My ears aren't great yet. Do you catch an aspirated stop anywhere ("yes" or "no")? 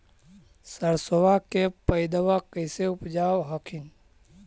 yes